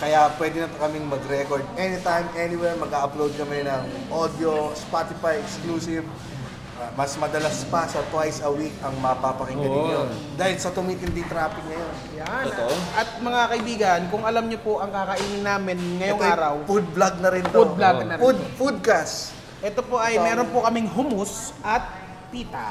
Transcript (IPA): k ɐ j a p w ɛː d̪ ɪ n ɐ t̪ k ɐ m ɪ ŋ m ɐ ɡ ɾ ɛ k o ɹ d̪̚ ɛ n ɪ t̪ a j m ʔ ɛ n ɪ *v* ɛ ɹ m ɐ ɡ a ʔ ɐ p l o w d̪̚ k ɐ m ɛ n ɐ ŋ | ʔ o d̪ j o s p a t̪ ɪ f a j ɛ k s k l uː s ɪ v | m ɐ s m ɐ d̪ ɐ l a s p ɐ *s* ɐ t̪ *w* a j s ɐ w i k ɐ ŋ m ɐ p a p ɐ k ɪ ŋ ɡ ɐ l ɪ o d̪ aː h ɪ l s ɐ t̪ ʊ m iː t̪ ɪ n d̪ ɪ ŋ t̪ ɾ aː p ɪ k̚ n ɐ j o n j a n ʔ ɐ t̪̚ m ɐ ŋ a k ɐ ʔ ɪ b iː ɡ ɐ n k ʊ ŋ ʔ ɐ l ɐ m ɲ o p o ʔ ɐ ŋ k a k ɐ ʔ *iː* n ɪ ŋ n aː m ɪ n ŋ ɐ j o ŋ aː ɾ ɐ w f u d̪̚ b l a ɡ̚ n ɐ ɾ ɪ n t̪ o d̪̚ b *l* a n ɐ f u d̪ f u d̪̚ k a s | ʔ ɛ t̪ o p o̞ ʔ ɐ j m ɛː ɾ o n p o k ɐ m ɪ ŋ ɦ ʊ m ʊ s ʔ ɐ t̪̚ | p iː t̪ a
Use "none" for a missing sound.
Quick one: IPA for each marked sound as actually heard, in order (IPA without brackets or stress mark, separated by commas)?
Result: w, s, w, iː, l